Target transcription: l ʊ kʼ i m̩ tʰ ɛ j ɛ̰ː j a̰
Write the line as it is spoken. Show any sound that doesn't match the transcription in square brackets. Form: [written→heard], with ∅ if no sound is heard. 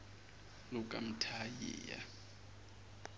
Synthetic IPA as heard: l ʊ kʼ [i→a] m̩ tʰ [ɛ→a] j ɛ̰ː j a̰